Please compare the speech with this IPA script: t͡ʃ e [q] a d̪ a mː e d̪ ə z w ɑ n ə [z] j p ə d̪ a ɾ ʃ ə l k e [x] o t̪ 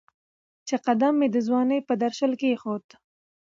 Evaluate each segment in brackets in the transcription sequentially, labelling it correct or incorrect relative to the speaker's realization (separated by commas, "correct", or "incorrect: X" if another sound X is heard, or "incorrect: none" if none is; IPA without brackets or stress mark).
correct, incorrect: none, correct